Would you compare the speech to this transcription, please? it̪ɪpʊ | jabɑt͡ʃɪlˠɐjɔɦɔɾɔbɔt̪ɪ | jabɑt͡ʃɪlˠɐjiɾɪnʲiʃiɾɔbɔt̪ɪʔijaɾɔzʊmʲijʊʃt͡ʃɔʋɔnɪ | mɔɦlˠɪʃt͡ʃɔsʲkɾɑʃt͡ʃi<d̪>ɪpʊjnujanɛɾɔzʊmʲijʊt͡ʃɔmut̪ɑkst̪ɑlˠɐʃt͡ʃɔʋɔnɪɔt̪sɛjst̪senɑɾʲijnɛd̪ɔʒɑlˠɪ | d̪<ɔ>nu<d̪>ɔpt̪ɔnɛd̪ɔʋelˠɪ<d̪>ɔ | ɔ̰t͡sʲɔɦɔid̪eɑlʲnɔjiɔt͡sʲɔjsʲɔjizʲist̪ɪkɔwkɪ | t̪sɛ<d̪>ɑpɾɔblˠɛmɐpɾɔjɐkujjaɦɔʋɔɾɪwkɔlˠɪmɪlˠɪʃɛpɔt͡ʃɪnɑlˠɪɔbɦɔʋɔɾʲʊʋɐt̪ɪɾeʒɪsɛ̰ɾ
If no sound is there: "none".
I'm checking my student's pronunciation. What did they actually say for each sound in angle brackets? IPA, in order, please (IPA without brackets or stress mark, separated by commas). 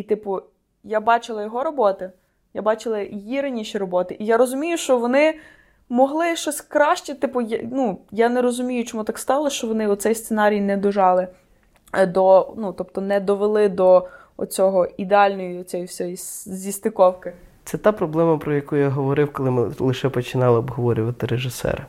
t̪, ɔ, t̪, d̪, t̪